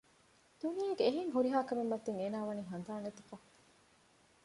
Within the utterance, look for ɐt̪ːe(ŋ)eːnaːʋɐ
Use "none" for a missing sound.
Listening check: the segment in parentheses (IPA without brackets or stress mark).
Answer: ŋ